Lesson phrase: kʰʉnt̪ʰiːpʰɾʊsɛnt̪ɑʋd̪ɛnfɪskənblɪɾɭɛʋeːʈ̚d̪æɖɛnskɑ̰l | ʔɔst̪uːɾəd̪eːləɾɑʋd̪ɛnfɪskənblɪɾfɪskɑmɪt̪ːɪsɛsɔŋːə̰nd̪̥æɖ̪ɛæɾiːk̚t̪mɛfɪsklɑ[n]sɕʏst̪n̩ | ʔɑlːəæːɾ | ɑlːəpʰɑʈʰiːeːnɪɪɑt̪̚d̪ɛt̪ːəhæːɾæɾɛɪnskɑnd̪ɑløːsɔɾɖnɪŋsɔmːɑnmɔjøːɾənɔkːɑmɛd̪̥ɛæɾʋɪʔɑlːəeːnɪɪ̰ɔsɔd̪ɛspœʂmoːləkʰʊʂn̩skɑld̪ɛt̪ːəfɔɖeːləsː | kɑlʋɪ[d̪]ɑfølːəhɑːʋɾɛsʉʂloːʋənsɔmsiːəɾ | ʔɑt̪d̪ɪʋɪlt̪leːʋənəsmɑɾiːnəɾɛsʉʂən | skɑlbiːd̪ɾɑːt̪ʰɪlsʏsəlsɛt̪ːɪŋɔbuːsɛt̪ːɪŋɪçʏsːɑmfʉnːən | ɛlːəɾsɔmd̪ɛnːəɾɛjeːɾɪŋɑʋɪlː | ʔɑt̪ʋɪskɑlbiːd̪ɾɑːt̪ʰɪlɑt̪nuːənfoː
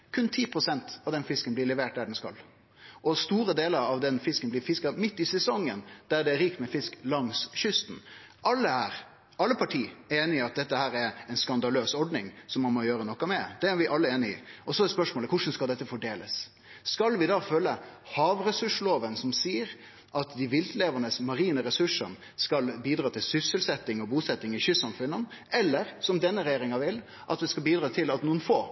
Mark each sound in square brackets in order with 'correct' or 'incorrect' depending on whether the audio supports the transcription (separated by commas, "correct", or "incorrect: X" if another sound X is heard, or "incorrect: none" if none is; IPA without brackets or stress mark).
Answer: incorrect: ŋ, correct